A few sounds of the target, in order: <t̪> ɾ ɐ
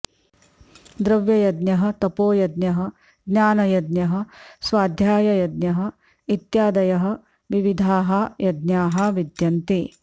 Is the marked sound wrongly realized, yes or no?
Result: yes